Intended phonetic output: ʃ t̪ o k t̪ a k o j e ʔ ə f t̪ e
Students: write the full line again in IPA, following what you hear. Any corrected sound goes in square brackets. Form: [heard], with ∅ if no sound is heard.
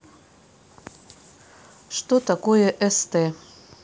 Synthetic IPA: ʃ t̪ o [∅] t̪ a k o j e ʔ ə [s] t̪ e